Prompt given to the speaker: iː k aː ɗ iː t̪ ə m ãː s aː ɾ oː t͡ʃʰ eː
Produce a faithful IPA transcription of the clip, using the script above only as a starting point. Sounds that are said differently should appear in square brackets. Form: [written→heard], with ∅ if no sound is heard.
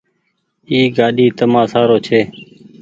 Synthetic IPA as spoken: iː [k→ɡ] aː ɗ iː t̪ ə m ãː s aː ɾ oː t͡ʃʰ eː